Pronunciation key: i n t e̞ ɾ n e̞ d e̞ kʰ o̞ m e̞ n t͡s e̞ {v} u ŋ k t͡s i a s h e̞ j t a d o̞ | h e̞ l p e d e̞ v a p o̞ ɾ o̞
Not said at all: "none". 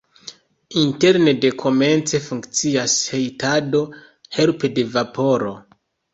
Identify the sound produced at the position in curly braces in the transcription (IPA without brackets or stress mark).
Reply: f